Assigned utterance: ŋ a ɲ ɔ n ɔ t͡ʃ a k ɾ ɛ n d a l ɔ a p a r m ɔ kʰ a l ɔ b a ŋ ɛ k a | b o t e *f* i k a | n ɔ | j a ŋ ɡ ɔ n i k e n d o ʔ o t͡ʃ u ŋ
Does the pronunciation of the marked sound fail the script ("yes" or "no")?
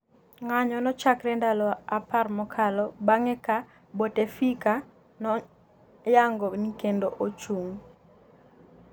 no